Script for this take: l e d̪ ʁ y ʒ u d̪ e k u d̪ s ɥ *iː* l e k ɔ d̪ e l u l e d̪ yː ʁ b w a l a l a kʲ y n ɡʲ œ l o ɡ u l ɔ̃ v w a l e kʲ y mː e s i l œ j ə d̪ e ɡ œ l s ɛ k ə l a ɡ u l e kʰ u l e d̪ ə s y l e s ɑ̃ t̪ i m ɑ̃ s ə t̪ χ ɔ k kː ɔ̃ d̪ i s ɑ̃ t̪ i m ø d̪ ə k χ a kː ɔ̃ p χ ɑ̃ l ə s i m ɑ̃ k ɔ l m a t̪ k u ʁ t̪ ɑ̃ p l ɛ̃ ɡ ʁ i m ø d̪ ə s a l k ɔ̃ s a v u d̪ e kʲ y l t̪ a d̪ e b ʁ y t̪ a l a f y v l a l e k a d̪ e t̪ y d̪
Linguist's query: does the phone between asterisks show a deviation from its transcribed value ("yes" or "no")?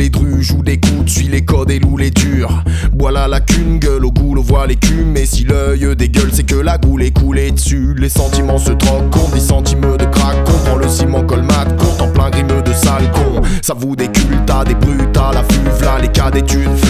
yes